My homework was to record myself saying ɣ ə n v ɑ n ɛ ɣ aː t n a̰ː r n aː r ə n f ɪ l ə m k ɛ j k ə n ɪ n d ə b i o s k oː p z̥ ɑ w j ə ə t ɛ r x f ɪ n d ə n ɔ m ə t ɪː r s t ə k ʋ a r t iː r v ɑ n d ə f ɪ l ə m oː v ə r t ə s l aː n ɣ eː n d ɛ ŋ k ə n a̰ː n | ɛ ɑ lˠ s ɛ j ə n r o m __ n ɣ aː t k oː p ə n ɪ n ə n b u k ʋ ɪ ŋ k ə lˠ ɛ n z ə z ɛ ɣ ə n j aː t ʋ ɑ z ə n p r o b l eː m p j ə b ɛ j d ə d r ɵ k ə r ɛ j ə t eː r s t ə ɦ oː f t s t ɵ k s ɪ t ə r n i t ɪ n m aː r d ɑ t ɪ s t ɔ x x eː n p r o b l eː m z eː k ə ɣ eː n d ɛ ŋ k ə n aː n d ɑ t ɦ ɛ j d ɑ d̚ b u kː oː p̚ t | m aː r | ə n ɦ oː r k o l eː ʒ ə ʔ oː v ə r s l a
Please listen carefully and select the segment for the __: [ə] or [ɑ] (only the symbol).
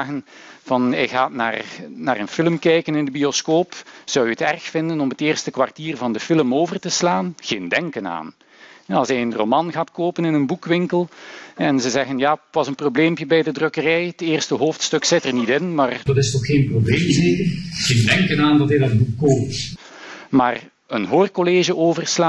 ɑ